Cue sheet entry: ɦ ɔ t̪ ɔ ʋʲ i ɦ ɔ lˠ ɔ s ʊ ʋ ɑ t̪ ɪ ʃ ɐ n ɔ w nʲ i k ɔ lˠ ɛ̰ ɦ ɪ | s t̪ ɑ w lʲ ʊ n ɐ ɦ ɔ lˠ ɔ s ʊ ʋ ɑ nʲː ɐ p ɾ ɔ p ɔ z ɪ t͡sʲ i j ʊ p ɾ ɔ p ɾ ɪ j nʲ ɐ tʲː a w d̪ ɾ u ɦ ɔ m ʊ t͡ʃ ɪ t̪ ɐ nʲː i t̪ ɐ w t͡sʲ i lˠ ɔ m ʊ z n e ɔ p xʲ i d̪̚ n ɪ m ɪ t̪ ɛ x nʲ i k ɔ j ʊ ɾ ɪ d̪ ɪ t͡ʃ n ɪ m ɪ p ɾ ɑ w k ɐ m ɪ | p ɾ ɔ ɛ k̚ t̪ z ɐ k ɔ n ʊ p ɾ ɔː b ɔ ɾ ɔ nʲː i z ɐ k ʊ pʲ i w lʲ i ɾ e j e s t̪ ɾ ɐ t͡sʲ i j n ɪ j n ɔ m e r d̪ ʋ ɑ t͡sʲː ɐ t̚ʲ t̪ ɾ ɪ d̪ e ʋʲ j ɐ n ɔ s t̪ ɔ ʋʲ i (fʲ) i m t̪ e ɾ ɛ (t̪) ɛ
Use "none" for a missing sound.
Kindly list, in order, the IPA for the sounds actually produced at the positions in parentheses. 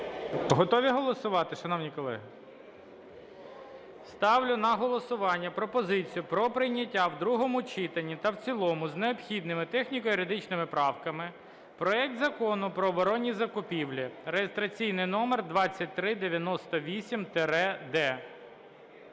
sʲ, d̪

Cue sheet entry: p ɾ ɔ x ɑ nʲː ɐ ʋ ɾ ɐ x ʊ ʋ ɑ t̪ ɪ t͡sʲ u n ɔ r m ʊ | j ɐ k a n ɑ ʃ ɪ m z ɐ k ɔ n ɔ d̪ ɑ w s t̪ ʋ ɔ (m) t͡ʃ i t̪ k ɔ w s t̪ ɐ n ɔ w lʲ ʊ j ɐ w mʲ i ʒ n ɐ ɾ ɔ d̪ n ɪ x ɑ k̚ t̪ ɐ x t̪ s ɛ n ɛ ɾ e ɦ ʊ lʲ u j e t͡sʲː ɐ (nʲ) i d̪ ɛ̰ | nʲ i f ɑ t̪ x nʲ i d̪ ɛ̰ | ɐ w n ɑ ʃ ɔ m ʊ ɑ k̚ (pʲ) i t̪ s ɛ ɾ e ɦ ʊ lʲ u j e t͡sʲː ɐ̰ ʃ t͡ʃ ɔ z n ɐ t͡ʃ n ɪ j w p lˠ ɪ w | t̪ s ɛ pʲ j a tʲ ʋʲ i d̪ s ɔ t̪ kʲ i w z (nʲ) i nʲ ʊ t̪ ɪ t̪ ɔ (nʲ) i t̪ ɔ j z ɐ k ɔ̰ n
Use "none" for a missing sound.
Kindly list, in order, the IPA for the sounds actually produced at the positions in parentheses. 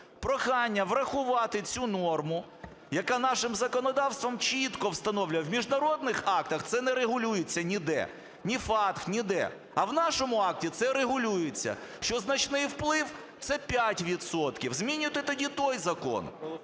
m, nʲ, tʲ, mʲ, dʲ

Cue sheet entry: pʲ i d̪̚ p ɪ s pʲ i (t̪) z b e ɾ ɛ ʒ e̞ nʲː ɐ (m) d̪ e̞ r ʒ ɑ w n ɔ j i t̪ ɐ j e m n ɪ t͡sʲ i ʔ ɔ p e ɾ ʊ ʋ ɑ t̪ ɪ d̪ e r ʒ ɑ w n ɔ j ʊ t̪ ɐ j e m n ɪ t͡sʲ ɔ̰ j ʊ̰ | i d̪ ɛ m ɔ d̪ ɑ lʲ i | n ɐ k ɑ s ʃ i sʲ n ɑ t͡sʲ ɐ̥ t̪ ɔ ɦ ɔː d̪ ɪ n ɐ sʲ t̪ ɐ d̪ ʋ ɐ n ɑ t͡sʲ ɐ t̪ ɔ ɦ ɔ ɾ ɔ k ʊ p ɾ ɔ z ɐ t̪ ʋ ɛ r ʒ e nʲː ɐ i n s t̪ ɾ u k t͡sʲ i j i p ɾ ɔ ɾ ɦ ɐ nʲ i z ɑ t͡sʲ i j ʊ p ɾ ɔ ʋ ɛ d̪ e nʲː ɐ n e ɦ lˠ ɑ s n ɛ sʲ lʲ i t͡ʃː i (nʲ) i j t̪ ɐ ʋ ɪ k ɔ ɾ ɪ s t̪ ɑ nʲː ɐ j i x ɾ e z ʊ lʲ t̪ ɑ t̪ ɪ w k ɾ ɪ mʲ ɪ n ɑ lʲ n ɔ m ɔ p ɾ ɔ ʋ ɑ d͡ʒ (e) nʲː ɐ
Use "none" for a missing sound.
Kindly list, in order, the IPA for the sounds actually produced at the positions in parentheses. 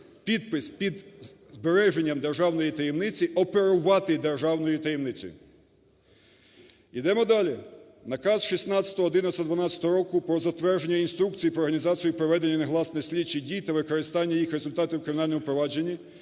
d̪, m, dʲ, e

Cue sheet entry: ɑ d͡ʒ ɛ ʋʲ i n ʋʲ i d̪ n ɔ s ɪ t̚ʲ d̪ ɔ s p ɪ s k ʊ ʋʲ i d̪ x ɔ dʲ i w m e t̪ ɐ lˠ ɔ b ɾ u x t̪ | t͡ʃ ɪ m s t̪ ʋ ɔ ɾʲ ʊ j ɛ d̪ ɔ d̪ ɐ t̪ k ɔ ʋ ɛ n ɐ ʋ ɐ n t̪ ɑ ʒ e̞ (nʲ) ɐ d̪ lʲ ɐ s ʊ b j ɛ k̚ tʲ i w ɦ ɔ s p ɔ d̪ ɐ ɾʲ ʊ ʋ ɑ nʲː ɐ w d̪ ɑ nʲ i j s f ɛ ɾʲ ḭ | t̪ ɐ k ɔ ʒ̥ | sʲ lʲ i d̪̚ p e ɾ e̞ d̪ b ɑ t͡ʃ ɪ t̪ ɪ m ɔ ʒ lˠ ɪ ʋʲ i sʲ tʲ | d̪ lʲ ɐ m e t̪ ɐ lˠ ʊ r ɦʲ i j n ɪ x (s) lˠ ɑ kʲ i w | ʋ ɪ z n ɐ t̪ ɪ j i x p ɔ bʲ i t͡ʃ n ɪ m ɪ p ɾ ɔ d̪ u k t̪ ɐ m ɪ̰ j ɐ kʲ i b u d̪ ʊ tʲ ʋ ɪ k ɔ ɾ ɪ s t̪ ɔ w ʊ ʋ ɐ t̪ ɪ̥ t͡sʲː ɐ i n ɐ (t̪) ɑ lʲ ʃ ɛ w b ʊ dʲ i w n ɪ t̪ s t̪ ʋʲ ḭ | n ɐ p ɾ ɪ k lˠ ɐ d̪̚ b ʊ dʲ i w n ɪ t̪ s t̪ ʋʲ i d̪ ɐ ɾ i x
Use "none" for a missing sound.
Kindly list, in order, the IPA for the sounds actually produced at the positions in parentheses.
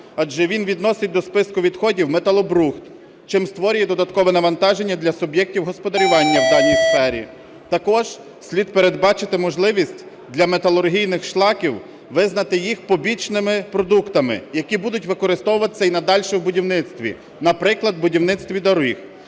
nʲː, ʃ, d̪

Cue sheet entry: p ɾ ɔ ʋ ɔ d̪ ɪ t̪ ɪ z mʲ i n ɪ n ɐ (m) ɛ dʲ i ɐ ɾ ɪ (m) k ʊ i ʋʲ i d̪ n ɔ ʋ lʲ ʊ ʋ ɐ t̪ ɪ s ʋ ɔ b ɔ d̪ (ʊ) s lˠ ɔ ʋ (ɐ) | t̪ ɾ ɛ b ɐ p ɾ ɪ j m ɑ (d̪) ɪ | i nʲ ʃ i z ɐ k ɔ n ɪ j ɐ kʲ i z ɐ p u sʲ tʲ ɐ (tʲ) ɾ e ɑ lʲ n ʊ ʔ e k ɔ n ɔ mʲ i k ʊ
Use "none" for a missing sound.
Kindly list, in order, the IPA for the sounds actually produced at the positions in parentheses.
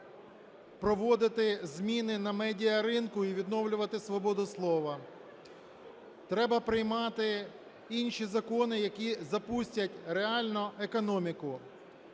m, n, ʊ, ɐ, t̪, tʲ

